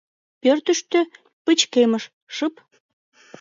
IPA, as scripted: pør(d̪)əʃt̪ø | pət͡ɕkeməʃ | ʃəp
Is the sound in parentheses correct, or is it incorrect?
incorrect